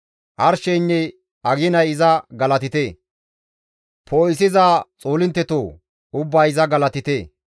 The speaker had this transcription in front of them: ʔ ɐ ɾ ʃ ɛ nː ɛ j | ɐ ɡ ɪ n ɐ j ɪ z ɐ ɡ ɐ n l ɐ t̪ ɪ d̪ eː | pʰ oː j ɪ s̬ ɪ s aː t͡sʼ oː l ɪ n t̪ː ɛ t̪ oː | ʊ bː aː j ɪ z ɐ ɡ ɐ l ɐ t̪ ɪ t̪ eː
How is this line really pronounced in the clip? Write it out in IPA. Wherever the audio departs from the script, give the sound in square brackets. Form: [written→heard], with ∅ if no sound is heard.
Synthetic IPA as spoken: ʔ ɐ ɾ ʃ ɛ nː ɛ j | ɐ ɡ ɪ n ɐ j ɪ z ɐ ɡ ɐ [n→∅] l ɐ t̪ ɪ [d̪→t̪] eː | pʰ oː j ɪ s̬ ɪ [s→z] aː t͡sʼ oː l ɪ n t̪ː ɛ t̪ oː | ʊ bː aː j ɪ z ɐ ɡ ɐ l ɐ t̪ ɪ t̪ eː